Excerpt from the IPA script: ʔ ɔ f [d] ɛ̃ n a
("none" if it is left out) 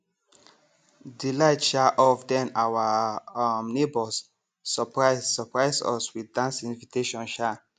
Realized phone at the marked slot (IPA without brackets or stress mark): d